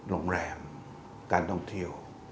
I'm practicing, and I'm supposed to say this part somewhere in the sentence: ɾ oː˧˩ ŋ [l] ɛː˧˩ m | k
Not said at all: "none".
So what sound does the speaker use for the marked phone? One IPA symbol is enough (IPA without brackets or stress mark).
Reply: ɾ